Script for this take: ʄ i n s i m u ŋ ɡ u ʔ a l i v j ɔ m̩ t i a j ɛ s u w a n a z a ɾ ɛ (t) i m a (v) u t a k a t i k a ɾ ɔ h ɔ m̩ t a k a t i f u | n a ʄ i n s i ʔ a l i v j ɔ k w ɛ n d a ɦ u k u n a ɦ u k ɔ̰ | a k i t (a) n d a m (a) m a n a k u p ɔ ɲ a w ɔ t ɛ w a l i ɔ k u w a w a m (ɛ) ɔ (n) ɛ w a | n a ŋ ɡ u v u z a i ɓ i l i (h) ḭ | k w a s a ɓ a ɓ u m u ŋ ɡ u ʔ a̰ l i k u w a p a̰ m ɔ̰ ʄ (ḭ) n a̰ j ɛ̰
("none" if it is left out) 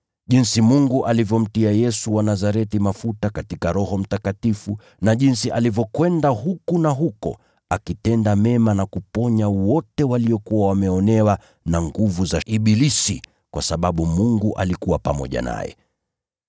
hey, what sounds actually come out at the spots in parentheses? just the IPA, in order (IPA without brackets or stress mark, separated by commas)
t, f, ɛ, ɛ, ɛ, n, s, a̰